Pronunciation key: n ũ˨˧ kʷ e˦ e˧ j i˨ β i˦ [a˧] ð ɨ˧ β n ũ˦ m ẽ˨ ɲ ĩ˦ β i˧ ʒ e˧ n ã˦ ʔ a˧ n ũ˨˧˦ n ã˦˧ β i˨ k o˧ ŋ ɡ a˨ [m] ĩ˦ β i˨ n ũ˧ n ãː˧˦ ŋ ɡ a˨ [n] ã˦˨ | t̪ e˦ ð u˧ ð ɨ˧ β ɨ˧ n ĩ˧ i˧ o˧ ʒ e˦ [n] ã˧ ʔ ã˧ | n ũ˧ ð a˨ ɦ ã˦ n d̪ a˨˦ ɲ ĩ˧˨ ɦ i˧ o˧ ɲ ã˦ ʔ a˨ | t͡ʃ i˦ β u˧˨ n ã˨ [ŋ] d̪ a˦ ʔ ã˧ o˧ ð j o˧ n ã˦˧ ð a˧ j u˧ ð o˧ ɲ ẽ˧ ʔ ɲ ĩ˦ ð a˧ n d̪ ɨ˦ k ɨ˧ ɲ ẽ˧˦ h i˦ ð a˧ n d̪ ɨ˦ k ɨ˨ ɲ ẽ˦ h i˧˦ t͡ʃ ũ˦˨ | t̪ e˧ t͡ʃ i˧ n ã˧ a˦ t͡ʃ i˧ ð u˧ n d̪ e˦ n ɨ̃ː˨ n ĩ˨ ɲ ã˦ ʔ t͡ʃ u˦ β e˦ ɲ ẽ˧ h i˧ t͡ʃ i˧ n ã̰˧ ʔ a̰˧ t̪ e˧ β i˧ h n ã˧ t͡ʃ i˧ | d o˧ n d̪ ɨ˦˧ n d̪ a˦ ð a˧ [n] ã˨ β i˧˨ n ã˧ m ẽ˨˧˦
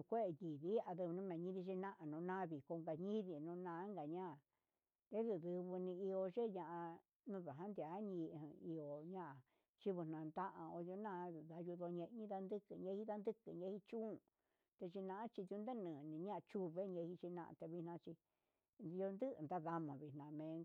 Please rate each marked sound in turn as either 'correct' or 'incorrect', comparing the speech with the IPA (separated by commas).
correct, incorrect, incorrect, incorrect, incorrect, incorrect